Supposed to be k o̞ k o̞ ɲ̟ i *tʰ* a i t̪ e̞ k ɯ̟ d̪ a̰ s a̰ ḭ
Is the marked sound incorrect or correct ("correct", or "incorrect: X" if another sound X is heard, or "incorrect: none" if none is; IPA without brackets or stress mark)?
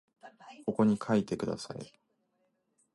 incorrect: kʰ